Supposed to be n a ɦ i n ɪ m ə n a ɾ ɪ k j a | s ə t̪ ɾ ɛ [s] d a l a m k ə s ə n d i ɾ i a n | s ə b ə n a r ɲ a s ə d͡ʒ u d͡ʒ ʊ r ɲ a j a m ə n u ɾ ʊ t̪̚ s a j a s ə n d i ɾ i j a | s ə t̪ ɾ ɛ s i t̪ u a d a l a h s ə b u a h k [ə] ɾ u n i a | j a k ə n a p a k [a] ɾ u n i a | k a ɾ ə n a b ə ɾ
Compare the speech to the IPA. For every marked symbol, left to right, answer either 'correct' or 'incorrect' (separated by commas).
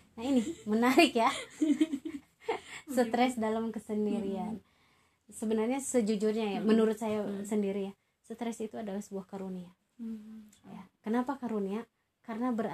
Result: correct, incorrect, correct